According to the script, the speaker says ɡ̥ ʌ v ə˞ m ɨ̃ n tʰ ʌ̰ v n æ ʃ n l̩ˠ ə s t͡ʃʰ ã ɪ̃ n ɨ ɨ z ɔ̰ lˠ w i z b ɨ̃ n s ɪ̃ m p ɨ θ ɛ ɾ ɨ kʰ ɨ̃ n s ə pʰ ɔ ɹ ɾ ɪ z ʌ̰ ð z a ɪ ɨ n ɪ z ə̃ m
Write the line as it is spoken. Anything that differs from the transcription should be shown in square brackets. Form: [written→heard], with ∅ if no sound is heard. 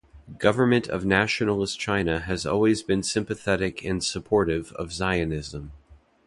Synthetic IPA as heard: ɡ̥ ʌ v ə˞ m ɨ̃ n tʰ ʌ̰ v n æ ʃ n l̩ˠ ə s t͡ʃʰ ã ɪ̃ n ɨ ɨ z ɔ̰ lˠ w i z b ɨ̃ n s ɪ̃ m p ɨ θ ɛ ɾ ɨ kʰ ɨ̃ n s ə pʰ ɔ ɹ ɾ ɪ [z→v] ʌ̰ [ð→v] z a ɪ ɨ n ɪ z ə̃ m